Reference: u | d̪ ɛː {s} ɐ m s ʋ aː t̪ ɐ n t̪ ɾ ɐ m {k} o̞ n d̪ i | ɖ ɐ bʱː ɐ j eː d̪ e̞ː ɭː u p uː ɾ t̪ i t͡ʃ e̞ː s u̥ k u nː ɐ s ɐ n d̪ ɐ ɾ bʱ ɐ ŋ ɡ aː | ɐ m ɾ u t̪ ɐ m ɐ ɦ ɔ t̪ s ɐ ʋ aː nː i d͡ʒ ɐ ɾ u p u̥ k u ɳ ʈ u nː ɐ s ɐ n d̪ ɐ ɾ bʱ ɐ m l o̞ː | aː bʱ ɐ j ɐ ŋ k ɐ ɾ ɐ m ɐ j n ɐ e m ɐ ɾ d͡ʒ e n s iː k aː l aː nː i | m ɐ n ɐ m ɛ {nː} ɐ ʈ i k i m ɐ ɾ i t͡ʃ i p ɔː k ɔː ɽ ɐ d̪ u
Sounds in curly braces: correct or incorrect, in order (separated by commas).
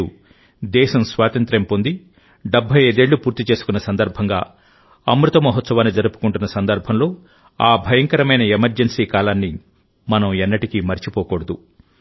incorrect, incorrect, correct